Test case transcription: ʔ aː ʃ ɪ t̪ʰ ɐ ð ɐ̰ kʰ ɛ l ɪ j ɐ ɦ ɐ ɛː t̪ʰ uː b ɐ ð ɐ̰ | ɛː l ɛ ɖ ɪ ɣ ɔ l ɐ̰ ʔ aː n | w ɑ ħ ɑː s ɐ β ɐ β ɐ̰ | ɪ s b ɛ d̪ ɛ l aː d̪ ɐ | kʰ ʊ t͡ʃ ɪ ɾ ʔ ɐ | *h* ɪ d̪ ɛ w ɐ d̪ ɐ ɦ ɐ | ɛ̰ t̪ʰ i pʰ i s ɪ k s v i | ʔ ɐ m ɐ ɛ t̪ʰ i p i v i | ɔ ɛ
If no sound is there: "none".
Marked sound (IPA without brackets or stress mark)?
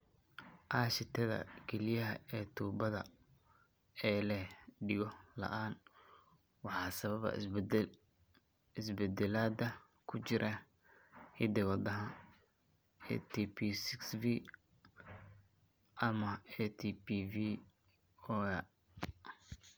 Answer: h